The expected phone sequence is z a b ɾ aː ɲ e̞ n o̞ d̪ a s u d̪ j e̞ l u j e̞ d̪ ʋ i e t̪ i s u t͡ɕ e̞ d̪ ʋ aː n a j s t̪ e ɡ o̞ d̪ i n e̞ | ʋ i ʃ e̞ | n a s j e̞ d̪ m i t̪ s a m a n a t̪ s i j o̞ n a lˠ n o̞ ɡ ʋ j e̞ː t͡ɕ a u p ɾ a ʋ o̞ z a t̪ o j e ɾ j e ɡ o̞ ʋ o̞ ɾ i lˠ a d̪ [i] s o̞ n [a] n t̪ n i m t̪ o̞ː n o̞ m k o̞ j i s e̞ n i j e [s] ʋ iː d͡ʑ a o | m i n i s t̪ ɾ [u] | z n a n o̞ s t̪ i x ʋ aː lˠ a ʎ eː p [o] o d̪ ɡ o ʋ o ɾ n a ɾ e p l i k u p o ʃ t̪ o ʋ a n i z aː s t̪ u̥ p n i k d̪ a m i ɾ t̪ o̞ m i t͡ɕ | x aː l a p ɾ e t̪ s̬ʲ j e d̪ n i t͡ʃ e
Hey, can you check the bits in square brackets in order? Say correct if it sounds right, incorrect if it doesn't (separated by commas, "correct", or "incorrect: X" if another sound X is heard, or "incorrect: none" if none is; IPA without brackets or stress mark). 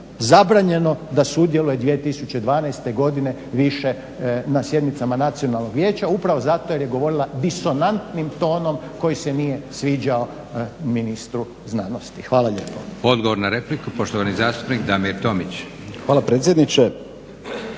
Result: correct, correct, correct, correct, correct